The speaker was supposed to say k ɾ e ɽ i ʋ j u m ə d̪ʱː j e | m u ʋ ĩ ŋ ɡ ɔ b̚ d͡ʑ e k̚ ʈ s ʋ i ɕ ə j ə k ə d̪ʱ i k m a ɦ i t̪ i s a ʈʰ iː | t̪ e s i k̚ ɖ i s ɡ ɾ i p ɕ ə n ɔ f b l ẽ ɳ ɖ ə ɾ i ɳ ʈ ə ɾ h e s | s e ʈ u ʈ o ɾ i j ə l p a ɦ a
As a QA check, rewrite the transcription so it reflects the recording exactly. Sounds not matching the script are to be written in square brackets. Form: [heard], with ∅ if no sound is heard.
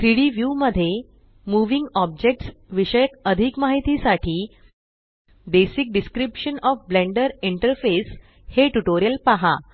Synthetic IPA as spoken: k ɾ [i] ɽ i ʋ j u m ə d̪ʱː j e | m u ʋ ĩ ŋ ɡ ɔ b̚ d͡ʑ e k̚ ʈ s ʋ i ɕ ə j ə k ə d̪ʱ i k m a ɦ i t̪ i s a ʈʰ iː | [d̪] e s i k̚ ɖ i s [k] ɾ i p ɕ ə n ɔ f b l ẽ ɳ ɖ ə ɾ i ɳ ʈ ə ɾ [f] e s | [h] e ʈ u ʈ o ɾ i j ə l p a ɦ a